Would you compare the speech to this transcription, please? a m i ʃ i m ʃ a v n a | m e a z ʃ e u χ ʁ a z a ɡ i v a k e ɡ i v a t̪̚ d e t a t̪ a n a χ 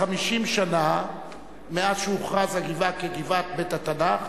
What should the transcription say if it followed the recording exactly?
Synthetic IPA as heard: a m i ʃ i m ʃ a n a | m e a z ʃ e u χ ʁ a z a ɡ i v a k e ɡ i v a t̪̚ b e t a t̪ a n a χ